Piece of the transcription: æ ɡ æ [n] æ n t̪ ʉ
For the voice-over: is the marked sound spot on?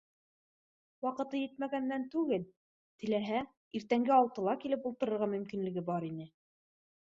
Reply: no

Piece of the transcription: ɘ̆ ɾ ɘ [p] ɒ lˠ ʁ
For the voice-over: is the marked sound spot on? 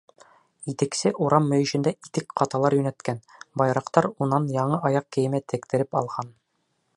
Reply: yes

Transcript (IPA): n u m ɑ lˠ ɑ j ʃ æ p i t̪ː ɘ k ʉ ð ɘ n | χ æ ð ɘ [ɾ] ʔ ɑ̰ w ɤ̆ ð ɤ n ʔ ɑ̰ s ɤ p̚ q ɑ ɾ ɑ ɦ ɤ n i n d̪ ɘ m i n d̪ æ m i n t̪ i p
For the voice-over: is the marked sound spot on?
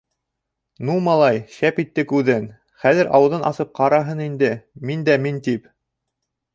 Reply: yes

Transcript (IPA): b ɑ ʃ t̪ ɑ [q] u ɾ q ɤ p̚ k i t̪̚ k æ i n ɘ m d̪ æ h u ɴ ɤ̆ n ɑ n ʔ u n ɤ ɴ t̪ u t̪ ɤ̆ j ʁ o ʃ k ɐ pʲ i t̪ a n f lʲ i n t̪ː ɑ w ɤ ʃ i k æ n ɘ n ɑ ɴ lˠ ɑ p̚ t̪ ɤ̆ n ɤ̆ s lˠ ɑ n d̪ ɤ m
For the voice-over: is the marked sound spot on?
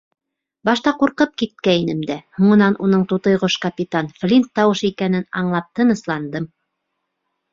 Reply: yes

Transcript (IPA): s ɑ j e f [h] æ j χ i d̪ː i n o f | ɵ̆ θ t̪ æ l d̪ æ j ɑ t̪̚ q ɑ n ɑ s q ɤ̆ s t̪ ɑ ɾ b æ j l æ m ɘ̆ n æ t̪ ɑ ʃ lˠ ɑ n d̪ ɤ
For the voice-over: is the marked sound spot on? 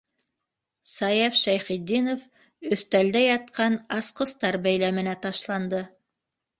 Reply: no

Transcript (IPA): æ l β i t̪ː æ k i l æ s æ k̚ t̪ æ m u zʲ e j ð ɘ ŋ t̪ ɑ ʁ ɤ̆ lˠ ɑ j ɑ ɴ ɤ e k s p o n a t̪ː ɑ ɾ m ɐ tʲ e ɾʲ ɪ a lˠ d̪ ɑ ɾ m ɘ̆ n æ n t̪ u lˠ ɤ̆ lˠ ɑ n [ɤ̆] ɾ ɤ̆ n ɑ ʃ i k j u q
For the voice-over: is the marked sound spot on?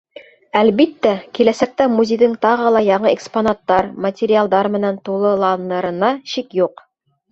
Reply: yes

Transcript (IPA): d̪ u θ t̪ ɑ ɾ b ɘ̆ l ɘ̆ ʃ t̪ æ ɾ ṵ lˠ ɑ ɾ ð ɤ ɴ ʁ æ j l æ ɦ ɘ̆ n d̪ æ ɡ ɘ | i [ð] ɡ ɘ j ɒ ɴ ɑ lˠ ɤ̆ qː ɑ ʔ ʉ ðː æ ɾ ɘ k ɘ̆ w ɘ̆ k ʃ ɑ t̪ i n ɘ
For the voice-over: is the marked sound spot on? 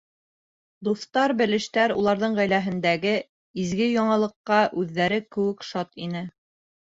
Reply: no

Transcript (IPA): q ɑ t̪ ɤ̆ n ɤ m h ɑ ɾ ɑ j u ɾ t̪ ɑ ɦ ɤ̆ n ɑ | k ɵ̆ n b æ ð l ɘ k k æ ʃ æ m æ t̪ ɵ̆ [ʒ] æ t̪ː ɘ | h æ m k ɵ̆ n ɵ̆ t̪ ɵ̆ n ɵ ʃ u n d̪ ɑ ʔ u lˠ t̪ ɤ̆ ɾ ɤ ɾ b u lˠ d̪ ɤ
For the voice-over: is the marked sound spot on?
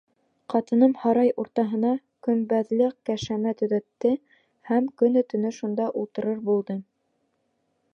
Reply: no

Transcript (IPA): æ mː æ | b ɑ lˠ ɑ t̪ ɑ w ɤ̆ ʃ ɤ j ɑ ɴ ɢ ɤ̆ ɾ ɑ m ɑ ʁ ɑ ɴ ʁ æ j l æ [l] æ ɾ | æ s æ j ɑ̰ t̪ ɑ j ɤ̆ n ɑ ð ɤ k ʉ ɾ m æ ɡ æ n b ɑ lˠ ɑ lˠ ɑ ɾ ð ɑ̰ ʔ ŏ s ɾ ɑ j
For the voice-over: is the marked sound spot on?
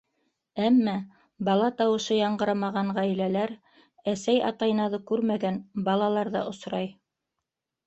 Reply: yes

